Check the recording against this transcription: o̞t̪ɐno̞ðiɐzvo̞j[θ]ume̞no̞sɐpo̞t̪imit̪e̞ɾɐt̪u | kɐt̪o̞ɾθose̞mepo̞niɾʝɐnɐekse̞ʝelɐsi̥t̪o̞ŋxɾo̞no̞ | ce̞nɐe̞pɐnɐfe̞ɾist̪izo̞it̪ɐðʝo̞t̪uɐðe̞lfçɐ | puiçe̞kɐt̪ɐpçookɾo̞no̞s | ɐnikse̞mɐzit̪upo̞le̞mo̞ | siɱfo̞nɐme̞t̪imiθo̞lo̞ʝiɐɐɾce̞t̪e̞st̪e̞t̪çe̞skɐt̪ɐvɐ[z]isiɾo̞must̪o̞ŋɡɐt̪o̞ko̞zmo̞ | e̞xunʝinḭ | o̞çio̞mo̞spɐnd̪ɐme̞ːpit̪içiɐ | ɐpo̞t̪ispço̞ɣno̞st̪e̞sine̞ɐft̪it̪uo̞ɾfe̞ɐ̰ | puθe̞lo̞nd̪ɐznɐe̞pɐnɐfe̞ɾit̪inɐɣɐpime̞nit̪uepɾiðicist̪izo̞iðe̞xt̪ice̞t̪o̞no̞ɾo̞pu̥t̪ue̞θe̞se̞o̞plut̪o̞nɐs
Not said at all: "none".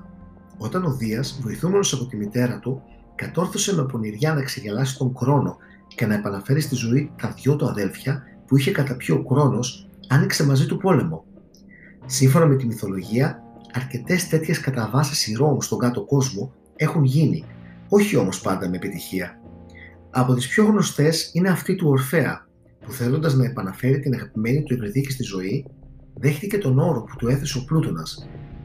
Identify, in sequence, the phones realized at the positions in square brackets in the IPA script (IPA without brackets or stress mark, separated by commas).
θ, s